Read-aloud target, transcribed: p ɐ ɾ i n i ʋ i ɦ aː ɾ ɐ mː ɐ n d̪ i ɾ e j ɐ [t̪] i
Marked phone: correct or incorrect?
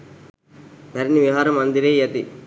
correct